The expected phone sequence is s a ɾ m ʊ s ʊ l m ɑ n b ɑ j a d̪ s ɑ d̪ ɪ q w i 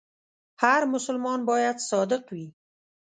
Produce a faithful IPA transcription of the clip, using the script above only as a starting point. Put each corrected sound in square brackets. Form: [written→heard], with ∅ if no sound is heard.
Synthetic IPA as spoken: [s→h] a ɾ m ʊ s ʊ l m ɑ n b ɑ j a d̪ s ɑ d̪ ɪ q w i